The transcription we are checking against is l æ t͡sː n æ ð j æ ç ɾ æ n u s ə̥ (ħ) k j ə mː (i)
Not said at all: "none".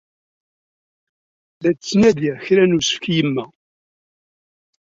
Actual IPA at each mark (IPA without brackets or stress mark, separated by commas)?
f, æ